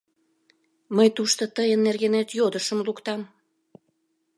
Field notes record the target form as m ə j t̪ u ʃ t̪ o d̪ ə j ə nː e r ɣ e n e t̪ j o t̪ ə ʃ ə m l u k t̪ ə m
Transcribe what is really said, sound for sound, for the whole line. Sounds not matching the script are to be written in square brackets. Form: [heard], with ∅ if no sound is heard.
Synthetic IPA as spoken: m ə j t̪ u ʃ t̪ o [t̪] ə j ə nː e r ɣ e n e t̪ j o [d̪] ə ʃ ə m l u k t̪ [ɑ] m